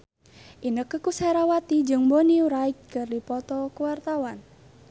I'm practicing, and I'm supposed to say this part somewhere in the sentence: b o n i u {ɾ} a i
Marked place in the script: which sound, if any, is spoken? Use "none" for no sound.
ɾ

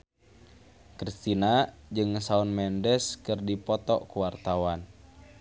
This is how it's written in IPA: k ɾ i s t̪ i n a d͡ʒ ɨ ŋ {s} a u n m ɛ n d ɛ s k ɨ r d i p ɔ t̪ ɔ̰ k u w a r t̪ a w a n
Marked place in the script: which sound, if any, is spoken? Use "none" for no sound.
s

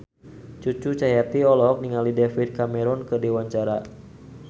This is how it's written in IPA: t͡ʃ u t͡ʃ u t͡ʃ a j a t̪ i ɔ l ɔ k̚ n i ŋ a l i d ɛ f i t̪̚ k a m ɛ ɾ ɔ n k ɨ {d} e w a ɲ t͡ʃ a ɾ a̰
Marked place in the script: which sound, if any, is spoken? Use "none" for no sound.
d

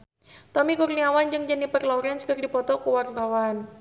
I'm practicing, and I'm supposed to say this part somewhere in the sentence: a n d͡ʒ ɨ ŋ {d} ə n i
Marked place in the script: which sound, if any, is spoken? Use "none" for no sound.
d͡ʒ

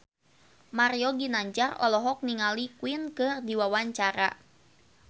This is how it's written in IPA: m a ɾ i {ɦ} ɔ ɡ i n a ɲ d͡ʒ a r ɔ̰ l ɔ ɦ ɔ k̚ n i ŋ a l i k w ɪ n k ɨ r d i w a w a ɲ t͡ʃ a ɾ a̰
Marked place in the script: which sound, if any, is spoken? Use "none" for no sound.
none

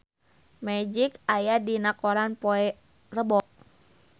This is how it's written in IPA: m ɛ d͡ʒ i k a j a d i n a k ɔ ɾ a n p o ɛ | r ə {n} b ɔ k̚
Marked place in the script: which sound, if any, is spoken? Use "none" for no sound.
none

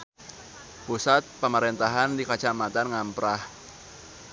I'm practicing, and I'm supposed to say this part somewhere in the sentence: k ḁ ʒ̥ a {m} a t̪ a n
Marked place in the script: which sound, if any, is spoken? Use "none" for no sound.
m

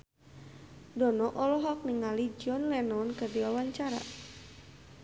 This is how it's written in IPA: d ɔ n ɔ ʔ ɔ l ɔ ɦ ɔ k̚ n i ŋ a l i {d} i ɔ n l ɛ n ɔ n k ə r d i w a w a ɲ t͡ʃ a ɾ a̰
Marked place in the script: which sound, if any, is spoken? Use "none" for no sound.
d͡ʒ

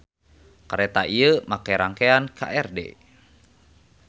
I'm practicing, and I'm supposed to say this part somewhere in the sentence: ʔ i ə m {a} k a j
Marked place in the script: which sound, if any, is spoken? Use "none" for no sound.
a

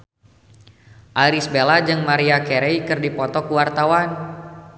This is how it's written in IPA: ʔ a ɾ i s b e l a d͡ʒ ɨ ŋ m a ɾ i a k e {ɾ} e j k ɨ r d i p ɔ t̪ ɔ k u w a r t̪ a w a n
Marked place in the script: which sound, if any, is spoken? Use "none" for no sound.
ɾ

